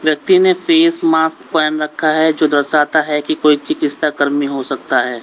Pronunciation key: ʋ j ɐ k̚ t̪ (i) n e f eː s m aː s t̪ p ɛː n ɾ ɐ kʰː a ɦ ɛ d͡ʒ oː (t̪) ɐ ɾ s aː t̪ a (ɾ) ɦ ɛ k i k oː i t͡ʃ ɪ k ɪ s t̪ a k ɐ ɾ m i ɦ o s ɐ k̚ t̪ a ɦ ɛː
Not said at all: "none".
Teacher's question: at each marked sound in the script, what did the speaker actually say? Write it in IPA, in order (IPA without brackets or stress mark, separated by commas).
i, d̪, none